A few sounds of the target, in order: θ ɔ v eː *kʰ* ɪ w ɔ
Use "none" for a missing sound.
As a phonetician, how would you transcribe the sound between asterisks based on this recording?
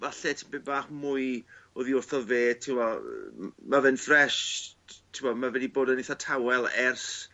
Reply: tʰ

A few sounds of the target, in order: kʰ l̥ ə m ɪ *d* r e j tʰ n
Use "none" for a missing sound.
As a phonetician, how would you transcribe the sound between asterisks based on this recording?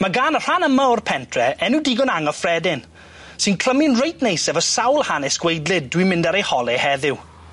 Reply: n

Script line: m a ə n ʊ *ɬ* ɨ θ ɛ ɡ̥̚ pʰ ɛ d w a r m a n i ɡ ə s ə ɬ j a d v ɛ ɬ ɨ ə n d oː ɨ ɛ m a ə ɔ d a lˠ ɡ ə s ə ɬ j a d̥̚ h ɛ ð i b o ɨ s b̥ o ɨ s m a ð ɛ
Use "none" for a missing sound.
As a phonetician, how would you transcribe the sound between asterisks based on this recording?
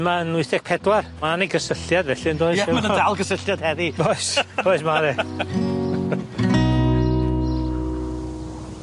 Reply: none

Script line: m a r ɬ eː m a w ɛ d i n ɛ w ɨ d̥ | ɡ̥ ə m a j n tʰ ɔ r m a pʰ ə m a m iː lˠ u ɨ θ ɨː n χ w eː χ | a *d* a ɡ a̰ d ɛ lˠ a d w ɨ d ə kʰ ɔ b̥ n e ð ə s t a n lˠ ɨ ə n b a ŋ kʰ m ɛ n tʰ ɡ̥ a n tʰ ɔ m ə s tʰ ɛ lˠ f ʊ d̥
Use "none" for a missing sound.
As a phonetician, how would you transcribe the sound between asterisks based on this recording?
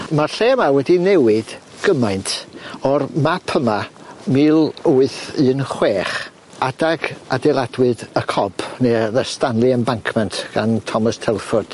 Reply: d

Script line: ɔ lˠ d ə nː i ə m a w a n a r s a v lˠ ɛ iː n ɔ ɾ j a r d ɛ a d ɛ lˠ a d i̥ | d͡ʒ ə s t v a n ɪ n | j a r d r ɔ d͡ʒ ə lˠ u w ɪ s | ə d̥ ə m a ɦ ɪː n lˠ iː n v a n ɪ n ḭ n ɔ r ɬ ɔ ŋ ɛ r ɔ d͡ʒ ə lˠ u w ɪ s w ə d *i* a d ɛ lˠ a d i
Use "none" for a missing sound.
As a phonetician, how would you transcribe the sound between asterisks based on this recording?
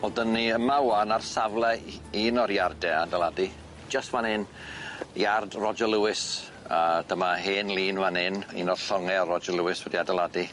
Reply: i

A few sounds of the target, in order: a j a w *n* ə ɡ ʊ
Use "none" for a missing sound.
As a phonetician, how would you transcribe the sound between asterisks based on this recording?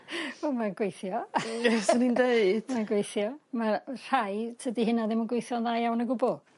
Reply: n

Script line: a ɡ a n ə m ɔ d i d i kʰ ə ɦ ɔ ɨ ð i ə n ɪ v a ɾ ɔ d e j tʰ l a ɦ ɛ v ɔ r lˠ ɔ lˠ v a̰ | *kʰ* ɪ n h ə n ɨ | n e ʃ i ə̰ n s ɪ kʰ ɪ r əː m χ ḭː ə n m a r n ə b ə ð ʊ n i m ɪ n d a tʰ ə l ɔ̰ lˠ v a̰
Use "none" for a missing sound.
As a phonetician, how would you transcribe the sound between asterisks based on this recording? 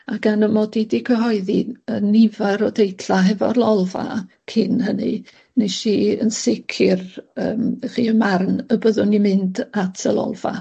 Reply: kʰ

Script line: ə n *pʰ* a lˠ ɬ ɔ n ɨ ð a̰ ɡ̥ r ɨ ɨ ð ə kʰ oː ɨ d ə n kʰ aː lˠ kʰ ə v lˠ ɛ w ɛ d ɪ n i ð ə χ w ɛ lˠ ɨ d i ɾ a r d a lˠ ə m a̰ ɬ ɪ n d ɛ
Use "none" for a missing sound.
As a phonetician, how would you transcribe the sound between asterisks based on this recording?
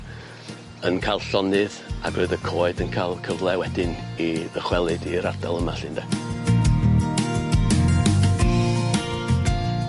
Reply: kʰ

